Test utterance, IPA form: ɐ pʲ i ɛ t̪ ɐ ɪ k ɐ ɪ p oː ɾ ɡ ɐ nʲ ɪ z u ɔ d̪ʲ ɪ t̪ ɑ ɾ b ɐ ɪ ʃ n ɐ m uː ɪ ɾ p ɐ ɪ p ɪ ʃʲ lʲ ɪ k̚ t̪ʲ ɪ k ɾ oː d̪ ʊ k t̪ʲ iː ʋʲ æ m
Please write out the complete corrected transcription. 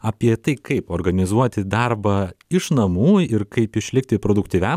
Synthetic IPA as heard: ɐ pʲ i ɛ t̪ ɐ ɪ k ɐ ɪ p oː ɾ ɡ ɐ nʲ ɪ z u ɔ t̪ʲ ɪ d̪ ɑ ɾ b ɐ ɪ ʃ n ɐ m uː ɪ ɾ k ɐ ɪ p ɪ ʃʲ lʲ ɪ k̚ t̪ʲ ɪ p ɾ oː d̪ ʊ k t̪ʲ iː ʋʲ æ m